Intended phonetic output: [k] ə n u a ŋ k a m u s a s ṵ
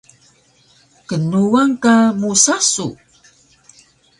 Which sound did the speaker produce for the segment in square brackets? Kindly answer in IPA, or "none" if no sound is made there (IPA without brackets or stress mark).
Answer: k